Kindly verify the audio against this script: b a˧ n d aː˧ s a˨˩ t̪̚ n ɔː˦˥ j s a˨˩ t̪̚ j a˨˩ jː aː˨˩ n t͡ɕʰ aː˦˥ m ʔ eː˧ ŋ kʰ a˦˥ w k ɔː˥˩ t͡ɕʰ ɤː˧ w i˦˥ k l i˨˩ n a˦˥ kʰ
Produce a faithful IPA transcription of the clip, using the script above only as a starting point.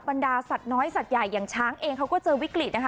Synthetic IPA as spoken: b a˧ n d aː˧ s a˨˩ t̪̚ n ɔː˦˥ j s a˨˩ t̪̚ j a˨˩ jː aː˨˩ ŋ t͡ɕʰ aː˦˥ ŋ ʔ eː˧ ŋ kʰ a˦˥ w k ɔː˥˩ t͡ɕ ɤː˧ w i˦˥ k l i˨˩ n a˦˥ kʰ